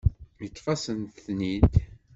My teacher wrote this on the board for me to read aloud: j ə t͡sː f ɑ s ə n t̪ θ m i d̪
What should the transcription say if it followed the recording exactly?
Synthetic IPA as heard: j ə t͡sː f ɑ s ə n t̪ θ n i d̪